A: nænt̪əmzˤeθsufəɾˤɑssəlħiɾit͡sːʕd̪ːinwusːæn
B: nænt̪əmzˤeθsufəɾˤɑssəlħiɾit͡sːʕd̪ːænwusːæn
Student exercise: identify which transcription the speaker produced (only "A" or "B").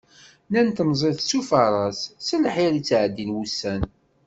A